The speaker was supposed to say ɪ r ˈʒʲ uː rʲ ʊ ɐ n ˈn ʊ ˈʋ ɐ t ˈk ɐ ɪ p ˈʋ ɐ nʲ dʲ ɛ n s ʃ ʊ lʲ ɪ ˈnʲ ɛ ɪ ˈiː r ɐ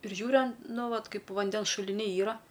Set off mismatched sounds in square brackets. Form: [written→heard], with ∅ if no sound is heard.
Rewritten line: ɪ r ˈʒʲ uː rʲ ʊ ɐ n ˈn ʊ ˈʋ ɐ t ˈk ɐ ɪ p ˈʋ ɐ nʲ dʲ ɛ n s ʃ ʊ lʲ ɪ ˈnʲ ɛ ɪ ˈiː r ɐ